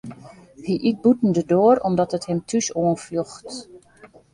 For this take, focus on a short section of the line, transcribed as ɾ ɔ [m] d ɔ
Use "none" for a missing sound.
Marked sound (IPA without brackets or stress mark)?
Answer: m